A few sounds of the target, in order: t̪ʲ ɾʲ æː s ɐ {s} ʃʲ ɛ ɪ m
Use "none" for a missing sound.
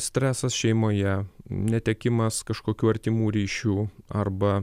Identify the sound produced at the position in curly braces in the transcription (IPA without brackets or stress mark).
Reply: s